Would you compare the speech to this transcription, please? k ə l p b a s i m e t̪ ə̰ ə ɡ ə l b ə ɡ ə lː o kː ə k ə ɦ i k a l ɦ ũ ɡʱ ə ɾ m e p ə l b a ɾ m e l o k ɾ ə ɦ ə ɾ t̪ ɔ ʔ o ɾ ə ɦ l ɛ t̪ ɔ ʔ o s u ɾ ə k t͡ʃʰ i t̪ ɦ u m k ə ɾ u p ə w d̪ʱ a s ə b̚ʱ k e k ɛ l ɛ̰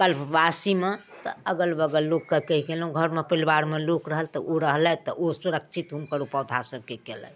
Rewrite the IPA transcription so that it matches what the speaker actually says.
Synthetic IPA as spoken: k ə l p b a s i m e t̪ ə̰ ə ɡ ə l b ə ɡ ə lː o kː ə k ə ɦ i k e l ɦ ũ ɡʱ ə ɾ m e p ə l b a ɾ m e l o k ɾ ə ɦ ə l t̪ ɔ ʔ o ɾ ə ɦ l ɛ t̪ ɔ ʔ o s u ɾ ə k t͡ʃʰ i t̪ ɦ u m k ə ɾ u p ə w d̪ʱ a s ə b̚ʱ k e k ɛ l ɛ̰